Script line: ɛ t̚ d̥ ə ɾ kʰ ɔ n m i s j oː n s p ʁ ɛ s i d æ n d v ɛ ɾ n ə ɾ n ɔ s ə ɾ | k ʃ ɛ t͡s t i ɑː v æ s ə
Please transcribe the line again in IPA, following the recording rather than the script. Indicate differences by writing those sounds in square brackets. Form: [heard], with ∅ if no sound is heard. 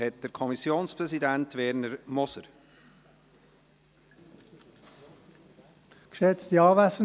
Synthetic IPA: ɛ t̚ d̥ ə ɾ kʰ ɔ [∅] m i s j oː n s p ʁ ɛ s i d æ n [t] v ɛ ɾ n ə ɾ [m] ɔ s ə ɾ | k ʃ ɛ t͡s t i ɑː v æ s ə